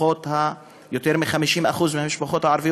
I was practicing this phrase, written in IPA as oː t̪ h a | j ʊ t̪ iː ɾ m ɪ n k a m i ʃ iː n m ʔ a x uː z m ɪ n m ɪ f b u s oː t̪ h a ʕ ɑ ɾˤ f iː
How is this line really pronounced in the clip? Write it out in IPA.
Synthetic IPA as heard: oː t̪ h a | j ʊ t̪ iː ɾ m ɪ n x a m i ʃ iː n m ʔ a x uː z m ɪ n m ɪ ʃ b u x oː t̪ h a ʕ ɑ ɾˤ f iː